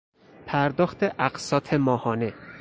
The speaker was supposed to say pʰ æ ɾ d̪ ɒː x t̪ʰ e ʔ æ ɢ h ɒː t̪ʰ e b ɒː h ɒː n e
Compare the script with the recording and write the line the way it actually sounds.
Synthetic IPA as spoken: pʰ æ ɾ d̪ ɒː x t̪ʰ e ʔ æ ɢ s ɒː t̪ʰ e m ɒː h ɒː n e